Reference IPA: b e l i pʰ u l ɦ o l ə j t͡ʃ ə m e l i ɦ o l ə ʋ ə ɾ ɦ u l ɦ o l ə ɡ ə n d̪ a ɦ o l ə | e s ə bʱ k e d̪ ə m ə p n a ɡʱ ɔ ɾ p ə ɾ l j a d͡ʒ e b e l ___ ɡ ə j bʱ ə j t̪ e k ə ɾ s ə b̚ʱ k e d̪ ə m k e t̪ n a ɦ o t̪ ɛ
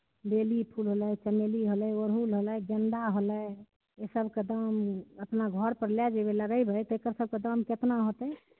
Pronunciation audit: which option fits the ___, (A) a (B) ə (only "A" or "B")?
B